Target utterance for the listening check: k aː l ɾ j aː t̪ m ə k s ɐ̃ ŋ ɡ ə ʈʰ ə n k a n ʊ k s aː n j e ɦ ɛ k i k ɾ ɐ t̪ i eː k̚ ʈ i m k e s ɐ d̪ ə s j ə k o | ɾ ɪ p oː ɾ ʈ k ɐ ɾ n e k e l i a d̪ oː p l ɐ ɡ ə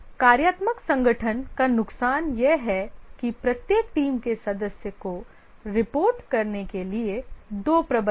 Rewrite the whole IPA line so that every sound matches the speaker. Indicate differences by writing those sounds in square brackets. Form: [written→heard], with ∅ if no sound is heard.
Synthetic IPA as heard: k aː [l→∅] ɾ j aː t̪ m ə k s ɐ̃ ŋ ɡ ə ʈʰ ə n k a n ʊ k s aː n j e ɦ ɛ k i [k→p] ɾ ɐ t̪ [i→j] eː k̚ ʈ [i→iː] m k e s ɐ d̪ ə s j ə k o | ɾ ɪ p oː ɾ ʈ k ɐ ɾ n e k e l i [a→e] d̪ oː p [l→ɾ] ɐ [ɡ→b] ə